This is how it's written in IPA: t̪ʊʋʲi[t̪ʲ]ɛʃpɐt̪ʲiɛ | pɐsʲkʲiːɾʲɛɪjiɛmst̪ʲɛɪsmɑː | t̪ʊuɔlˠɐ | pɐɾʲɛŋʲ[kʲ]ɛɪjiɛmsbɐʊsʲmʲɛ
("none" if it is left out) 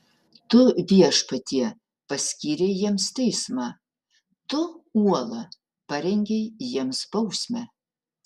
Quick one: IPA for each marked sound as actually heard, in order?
none, ɡʲ

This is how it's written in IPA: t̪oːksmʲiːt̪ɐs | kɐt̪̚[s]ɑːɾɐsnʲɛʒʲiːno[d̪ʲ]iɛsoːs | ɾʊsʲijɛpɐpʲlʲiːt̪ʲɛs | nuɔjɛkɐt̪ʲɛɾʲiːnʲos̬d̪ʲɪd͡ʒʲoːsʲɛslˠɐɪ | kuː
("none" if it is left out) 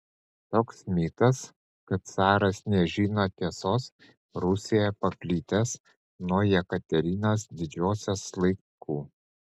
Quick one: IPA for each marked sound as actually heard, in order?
s, t̪ʲ

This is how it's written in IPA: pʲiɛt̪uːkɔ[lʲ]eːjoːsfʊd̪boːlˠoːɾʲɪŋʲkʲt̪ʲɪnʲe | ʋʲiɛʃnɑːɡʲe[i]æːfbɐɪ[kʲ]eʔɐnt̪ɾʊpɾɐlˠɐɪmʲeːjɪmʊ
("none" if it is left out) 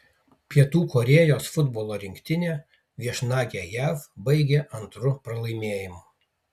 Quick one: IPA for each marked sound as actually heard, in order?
ɾʲ, j, ɡʲ

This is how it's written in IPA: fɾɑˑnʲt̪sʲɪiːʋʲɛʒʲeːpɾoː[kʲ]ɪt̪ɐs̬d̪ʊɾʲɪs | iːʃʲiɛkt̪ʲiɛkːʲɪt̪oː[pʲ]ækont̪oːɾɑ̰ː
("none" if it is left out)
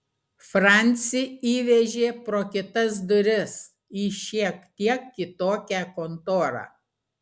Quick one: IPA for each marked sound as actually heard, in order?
kʲ, kʲ

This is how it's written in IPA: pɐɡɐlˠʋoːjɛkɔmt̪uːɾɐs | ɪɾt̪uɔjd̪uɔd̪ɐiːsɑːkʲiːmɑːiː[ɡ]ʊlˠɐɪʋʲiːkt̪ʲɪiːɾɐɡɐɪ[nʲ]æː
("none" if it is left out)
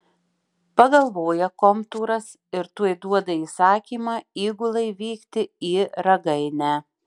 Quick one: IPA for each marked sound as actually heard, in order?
ɡ, nʲ

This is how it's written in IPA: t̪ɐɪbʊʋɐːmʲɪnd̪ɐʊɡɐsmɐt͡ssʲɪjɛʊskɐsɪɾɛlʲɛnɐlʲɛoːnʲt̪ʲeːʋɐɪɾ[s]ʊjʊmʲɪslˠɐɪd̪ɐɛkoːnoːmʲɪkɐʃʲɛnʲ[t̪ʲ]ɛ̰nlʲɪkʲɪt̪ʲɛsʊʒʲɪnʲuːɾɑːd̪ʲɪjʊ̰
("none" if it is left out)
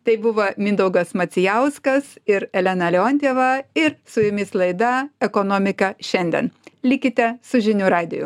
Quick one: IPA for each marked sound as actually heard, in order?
s, d̪ʲ

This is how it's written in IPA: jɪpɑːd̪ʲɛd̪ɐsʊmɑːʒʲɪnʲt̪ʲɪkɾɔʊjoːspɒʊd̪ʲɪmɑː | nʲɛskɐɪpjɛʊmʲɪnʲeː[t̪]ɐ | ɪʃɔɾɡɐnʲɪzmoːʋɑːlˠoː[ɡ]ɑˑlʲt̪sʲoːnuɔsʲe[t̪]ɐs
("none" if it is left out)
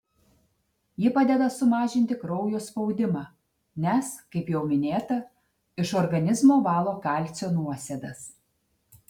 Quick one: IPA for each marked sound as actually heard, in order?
t̪, k, d̪

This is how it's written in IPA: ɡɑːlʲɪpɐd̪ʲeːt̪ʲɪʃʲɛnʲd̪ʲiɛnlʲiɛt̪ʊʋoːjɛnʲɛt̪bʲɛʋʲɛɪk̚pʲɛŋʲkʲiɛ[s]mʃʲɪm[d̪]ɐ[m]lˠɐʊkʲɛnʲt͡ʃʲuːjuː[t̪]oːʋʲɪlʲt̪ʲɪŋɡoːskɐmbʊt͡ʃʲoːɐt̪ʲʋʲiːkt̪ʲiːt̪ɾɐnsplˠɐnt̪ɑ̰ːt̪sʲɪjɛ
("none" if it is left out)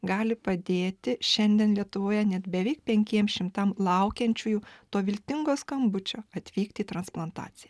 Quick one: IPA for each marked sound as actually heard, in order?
none, t̪, m, t̪

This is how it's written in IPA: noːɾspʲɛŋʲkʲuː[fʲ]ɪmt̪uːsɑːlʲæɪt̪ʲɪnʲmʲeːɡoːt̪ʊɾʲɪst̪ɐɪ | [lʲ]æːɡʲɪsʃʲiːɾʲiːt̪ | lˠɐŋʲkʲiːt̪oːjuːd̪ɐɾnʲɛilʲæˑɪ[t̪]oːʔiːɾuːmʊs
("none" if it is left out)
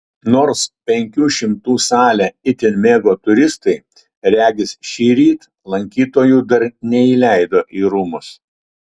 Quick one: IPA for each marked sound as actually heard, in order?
ʃʲ, ɾʲ, d̪

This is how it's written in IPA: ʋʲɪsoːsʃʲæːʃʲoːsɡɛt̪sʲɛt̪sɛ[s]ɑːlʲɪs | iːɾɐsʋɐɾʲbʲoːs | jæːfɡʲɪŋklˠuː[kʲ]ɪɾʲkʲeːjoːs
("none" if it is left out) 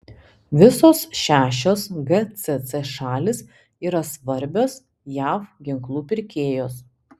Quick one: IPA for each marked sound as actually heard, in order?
ʃ, pʲ

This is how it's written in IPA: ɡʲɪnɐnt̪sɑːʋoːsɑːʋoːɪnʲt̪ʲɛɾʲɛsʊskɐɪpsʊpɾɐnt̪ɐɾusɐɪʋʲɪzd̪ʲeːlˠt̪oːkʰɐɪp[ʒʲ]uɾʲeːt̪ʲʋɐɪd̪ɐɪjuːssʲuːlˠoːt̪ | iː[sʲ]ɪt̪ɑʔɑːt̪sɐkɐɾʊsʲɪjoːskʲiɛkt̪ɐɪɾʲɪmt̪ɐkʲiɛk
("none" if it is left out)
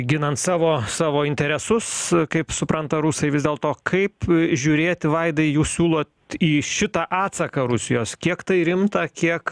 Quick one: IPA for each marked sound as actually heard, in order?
ʒʲ, ʃʲ

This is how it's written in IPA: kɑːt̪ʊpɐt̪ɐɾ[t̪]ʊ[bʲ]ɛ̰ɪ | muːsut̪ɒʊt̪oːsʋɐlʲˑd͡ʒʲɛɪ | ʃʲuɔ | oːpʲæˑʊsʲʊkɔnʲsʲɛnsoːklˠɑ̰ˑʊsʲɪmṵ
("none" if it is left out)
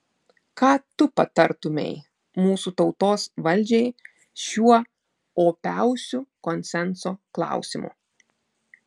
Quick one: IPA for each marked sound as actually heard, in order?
t̪, mʲ

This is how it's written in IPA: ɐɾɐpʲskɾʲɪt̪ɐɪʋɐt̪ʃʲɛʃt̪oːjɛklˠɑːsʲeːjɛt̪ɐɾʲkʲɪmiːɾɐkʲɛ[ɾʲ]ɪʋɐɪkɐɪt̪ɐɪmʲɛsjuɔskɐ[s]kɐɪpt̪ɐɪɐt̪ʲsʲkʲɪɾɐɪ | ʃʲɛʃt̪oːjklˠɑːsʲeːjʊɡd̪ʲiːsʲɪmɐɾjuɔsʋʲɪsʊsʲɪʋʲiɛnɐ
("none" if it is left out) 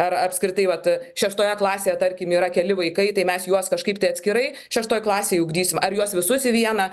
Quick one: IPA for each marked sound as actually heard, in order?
lʲ, ʃ

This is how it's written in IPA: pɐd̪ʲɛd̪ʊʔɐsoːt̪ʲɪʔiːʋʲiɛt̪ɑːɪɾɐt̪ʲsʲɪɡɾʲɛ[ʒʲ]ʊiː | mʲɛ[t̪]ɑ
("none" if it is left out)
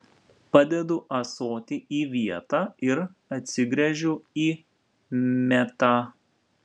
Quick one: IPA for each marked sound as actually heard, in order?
ʒʲ, t̪

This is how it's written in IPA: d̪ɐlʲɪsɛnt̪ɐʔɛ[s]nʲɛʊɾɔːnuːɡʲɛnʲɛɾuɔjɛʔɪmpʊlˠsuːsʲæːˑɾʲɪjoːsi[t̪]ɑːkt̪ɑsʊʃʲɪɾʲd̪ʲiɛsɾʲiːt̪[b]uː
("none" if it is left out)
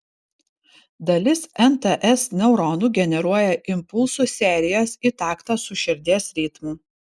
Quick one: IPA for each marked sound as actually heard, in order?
s, t̪, m

